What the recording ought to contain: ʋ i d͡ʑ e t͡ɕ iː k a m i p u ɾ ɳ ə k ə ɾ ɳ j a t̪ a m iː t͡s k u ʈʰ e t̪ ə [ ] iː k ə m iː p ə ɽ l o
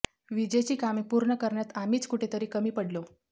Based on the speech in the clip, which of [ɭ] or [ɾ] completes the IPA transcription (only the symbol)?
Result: ɾ